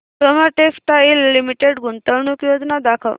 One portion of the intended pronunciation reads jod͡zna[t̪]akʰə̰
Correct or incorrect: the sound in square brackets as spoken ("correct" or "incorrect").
incorrect